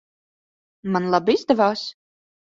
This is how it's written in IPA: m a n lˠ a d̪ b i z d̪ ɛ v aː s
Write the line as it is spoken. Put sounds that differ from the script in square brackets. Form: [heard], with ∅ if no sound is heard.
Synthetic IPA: m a n lˠ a [∅] b i z d̪ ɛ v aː s